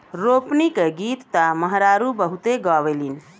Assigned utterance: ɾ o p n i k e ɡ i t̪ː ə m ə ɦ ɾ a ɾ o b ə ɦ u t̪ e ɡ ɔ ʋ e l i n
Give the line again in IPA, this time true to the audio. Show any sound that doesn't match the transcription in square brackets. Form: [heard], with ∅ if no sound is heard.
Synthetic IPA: ɾ o p n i k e ɡ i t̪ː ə m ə ɦ ɾ a ɾ [u] b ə ɦ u t̪ e ɡ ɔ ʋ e l i n